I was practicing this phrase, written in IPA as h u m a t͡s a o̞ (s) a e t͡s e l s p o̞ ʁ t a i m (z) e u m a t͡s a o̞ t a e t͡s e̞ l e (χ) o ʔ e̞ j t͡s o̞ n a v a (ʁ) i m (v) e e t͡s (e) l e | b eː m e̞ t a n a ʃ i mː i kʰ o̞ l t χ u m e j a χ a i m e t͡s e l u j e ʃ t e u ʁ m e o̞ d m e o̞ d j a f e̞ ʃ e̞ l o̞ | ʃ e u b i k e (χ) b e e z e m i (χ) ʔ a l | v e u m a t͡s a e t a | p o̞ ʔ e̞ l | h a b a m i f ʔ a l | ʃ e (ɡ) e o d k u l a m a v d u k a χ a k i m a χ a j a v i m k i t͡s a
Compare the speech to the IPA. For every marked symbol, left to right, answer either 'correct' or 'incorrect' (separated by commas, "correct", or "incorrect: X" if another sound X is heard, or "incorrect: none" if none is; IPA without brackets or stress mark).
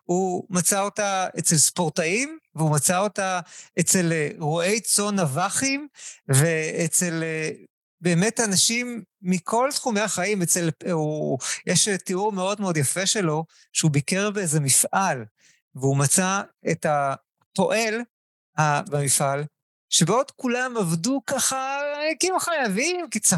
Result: incorrect: t, incorrect: v, incorrect: ʁ, incorrect: χ, correct, correct, incorrect: ʁ, incorrect: f, incorrect: b